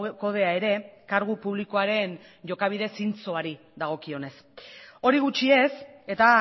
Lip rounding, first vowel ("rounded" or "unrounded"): rounded